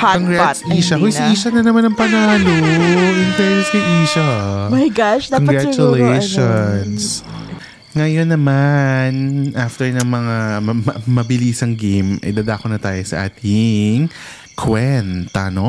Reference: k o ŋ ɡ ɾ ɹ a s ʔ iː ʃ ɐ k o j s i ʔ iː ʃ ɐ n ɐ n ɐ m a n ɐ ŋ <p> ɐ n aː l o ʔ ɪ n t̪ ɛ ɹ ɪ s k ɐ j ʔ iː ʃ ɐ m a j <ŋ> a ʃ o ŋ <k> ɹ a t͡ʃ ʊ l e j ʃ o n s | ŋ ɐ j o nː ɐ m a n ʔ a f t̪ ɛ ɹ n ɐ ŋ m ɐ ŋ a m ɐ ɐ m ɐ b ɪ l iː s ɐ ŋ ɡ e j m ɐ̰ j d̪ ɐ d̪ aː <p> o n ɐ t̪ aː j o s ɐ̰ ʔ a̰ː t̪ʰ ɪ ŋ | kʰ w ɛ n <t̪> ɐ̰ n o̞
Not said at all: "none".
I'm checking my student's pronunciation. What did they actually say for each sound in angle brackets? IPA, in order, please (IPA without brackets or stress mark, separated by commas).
p, ɡ, ɡ, k, t̪